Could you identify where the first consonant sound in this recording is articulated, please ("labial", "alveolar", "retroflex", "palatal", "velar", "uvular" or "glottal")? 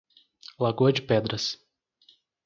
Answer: alveolar